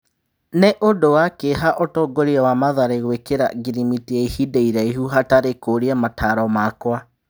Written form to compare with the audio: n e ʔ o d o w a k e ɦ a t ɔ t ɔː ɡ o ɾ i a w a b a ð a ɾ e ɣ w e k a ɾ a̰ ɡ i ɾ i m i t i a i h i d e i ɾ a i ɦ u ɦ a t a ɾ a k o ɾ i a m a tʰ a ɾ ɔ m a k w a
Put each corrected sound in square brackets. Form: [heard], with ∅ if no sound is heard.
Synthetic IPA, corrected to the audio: n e ʔ o d o w a k e ɦ a [ʔ] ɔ t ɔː ɡ o ɾ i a w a [m] a ð a ɾ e ɣ w e k [e] ɾ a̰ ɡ i ɾ i m i t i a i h i d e i ɾ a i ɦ u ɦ a t a ɾ [e] k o ɾ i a m a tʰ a ɾ ɔ m a k w a